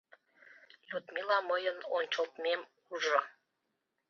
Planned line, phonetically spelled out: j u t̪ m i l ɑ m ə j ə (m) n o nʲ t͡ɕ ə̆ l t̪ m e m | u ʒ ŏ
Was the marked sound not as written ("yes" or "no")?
yes